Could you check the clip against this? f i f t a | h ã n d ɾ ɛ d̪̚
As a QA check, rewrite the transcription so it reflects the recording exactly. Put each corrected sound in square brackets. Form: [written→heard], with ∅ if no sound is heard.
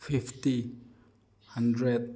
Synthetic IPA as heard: f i f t [a→i] | h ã n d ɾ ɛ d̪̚